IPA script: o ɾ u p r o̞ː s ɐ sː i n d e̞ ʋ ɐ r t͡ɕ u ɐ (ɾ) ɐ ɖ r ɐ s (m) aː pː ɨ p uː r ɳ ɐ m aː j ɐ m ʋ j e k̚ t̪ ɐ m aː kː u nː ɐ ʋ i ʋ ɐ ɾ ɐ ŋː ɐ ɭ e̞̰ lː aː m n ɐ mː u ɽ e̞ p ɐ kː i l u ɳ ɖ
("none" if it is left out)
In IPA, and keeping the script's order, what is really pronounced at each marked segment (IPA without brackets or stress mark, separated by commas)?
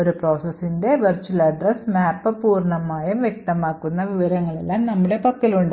l, m